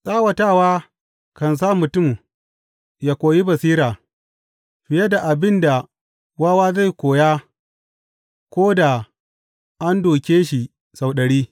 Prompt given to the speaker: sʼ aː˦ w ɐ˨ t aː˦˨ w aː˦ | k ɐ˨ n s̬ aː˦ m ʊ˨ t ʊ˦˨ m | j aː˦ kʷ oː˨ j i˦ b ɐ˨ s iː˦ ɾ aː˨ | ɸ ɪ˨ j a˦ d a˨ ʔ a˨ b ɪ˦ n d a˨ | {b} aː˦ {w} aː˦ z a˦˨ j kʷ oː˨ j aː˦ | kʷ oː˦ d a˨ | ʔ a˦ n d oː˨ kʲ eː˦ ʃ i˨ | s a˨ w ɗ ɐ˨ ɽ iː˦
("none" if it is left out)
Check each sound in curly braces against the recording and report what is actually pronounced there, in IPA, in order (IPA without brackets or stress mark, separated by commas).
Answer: w, w